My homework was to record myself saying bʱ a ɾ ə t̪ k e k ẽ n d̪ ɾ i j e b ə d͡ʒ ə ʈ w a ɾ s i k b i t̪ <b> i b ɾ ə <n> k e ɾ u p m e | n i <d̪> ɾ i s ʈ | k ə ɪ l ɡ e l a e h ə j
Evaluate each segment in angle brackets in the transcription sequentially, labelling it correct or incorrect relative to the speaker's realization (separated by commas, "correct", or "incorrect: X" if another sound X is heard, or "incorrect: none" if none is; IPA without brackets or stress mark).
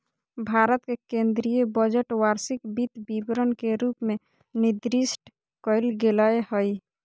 correct, correct, correct